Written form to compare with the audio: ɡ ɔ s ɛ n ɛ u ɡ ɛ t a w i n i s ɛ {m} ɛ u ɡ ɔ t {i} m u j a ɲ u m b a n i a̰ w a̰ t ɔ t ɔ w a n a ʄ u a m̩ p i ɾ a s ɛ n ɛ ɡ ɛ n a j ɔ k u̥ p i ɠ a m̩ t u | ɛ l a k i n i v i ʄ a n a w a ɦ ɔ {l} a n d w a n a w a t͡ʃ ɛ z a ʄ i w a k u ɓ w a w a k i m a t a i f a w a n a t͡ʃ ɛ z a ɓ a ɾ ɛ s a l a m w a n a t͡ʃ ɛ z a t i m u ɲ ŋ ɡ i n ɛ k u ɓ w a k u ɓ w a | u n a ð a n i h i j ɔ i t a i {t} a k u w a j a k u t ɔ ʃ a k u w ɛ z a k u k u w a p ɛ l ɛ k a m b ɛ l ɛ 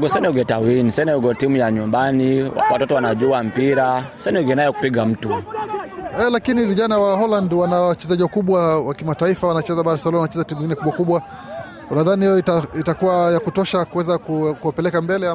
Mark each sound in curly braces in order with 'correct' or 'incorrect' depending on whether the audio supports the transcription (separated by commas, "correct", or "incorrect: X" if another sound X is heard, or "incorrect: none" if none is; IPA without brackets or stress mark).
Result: incorrect: n, correct, correct, correct